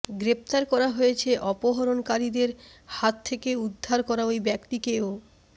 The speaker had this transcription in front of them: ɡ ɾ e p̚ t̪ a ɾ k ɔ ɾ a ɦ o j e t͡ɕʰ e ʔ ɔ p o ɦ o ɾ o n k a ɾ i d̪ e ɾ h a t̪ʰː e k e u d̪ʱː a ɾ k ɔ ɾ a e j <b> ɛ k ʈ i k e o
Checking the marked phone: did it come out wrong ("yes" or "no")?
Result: no